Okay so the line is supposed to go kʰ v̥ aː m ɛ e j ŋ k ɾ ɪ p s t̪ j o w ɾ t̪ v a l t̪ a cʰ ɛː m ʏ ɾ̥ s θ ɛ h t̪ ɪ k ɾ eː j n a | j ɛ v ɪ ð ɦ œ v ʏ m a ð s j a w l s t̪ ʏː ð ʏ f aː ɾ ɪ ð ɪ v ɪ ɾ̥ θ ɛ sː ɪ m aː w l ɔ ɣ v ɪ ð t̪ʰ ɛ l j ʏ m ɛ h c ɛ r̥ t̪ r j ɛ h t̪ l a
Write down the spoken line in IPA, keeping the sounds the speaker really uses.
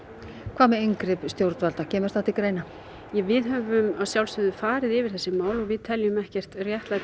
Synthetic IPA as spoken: kʰ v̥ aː m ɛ e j ŋ k ɾ ɪ p s t̪ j o w ɾ t̪ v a l t̪ a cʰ ɛː m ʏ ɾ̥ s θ a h t̪ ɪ k ɾ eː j n a | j ɛ v ɪ ð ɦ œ v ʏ m a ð s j a w l s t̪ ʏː ð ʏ f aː ɾ ɪ ð ɪ v ɪ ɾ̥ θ ɛ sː ɪ m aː w l ɔ ɣ v ɪ ð t̪ʰ ɛ l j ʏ m ɛ h c ɛ r̥ t̪ r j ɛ h t̪ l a